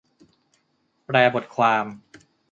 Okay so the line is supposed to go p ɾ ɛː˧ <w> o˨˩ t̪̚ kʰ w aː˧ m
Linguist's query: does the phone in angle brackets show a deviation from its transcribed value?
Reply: yes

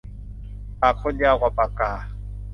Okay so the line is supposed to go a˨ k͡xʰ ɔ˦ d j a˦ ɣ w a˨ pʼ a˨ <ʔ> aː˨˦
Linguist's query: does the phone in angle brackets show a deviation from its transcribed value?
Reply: yes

